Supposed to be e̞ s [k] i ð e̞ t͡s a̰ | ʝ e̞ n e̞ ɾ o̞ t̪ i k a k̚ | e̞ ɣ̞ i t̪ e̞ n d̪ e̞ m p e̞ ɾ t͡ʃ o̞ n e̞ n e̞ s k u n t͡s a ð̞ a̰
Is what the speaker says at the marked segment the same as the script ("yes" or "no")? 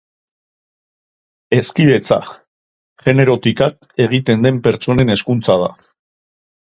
yes